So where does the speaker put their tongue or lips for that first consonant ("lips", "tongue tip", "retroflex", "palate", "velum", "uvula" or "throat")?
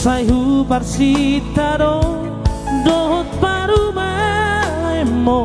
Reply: tongue tip